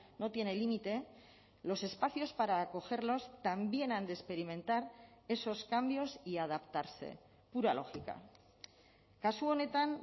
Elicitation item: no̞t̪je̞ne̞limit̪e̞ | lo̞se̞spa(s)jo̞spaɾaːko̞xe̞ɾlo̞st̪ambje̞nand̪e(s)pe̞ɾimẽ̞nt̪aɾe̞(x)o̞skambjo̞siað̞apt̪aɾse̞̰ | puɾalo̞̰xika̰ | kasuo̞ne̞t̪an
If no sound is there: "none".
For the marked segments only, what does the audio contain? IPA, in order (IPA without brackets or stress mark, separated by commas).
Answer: θ, s, s